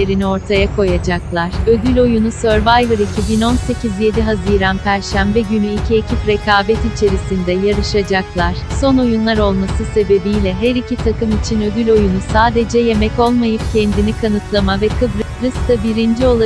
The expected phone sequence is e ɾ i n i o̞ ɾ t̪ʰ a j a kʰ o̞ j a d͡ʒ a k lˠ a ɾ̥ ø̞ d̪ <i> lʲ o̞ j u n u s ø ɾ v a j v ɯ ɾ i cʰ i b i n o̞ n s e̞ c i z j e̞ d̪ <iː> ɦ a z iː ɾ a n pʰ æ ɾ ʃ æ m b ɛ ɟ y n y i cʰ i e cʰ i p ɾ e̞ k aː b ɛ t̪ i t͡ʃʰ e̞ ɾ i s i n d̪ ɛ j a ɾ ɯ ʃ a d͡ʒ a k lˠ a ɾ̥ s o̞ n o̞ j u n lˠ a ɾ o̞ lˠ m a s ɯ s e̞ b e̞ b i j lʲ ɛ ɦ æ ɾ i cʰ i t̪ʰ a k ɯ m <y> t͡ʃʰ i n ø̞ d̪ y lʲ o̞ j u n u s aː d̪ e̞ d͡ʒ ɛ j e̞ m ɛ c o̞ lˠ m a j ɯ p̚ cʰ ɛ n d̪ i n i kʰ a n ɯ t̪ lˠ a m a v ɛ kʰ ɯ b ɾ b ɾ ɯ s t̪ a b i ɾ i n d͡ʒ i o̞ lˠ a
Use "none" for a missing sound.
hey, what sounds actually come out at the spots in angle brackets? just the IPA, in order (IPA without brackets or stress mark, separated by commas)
y, i, i